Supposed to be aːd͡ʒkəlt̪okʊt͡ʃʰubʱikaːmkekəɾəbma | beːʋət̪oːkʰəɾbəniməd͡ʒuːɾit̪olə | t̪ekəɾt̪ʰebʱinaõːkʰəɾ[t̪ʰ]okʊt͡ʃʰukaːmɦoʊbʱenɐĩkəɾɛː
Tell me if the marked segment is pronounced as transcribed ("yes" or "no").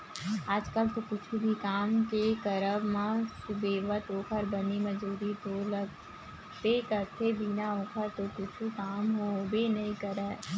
no